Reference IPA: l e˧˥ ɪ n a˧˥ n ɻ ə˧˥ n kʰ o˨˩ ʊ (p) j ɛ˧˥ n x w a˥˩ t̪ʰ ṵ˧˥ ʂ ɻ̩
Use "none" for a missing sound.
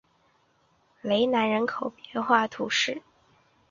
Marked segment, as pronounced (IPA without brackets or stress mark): p